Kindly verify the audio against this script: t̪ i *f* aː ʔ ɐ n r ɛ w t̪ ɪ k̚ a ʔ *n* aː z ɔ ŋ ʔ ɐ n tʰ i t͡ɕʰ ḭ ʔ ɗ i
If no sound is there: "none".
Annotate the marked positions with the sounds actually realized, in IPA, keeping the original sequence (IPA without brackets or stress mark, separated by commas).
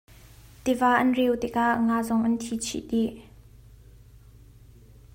v, ŋ